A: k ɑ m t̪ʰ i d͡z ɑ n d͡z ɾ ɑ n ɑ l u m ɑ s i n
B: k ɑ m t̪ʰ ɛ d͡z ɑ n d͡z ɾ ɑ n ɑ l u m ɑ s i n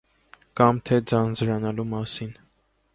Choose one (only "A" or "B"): B